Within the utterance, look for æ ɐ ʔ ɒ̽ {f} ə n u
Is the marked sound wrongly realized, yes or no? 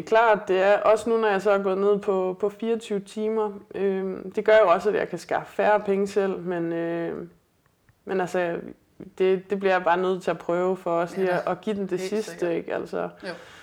yes